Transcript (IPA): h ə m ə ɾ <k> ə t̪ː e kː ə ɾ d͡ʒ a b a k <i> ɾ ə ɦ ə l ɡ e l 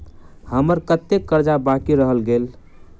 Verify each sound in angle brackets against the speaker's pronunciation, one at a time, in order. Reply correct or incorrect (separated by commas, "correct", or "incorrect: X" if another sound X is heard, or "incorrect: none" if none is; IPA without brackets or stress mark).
correct, correct